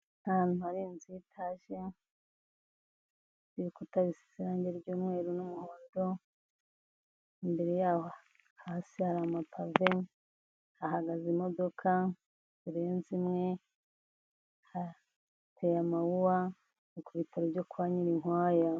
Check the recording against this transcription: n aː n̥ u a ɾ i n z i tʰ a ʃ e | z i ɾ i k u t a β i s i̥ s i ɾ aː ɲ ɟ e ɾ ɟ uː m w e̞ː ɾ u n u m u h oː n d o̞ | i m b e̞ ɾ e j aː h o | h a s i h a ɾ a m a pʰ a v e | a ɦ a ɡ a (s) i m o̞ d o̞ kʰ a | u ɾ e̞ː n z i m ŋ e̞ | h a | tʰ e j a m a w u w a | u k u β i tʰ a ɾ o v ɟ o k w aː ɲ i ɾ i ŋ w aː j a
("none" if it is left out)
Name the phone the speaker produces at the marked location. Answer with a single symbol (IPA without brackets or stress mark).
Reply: z